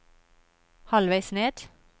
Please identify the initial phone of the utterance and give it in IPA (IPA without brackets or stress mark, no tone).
h